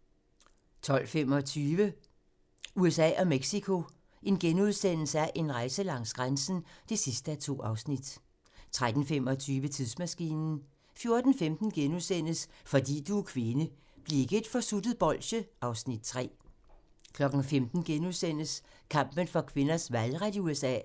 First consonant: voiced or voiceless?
voiceless